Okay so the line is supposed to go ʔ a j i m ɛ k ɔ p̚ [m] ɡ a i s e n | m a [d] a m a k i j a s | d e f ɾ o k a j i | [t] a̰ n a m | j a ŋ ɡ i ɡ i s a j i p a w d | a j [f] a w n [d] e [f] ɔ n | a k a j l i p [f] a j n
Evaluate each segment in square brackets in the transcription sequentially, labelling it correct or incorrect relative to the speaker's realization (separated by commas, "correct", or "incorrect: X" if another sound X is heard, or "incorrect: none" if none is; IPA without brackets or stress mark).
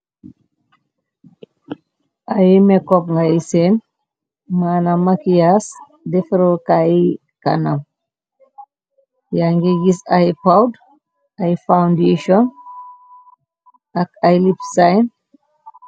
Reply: incorrect: ŋ, incorrect: n, incorrect: k, correct, correct, incorrect: ʃ, incorrect: s